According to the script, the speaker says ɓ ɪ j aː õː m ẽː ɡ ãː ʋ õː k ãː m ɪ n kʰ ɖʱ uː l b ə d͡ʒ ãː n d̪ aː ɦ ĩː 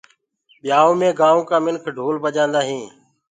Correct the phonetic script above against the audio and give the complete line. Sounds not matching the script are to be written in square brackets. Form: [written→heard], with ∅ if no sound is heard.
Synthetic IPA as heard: ɓ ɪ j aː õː m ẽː ɡ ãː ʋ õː k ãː m ɪ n kʰ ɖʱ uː l b ə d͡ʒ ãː n d̪ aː ɦ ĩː